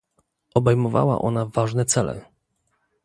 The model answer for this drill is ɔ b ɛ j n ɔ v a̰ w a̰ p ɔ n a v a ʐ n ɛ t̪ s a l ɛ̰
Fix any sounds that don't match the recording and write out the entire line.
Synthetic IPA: ɔ b ɛ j m ɔ v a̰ w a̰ ʔ ɔ n a v a ʐ n ɛ t̪ s ɛ l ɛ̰